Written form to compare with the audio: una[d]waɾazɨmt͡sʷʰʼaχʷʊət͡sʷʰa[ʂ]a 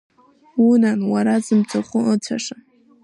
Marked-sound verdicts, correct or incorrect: incorrect, correct

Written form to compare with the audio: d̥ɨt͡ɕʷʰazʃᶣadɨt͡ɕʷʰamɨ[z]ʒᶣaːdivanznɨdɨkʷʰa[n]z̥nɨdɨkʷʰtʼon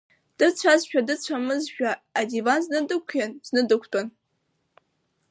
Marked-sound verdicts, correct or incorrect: correct, correct

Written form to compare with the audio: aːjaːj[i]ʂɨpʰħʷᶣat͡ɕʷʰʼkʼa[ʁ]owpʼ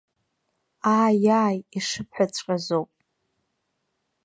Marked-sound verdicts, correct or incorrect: correct, incorrect

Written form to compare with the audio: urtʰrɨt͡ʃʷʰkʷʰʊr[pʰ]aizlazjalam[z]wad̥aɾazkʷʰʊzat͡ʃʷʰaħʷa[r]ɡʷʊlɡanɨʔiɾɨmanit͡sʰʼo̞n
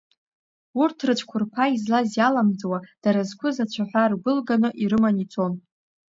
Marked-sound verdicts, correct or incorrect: correct, incorrect, correct

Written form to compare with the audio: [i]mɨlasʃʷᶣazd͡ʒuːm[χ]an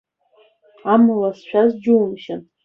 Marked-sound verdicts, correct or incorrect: incorrect, incorrect

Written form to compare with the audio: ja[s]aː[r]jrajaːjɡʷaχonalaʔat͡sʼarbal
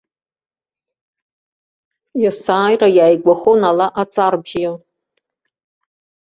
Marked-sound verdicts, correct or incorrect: correct, incorrect

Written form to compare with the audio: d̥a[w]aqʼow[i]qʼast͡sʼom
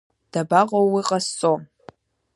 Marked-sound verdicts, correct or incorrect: incorrect, correct

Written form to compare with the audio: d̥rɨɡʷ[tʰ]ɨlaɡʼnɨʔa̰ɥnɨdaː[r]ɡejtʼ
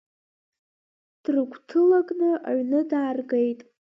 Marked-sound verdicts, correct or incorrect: correct, correct

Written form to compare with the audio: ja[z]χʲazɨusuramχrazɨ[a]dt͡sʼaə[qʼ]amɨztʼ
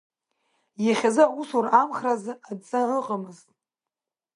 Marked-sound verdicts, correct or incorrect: incorrect, correct, correct

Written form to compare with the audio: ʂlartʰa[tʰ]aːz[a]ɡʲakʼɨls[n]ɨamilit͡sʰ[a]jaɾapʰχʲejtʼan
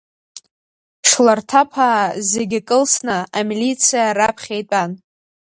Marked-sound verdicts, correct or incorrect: incorrect, incorrect, correct, incorrect

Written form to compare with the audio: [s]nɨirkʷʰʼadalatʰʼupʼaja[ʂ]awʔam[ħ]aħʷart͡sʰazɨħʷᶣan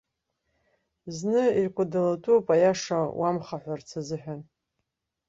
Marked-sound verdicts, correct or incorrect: incorrect, correct, incorrect

